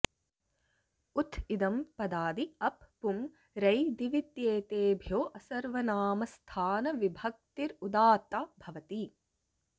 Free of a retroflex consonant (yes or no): yes